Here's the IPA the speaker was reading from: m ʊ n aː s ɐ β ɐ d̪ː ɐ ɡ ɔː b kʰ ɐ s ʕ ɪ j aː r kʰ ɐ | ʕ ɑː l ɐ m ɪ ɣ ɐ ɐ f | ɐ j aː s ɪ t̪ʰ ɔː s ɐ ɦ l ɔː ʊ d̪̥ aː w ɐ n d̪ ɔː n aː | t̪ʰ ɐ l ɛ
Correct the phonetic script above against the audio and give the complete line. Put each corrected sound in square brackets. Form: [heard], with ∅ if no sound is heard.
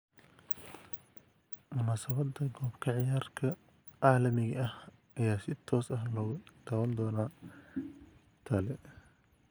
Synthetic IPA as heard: m ʊ n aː s ɐ β ɐ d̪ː ɐ ɡ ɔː b kʰ ɐ [∅] ʕ ɪ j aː r kʰ ɐ | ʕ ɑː l ɐ m ɪ ɣ ɐ ɐ [h] | ɐ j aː s ɪ t̪ʰ ɔː s ɐ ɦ l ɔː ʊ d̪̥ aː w ɐ n d̪ ɔː n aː | t̪ʰ ɐ l ɛ